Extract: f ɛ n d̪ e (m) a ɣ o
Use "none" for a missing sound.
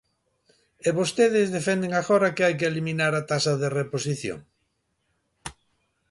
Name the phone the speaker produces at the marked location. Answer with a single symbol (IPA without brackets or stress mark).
ŋ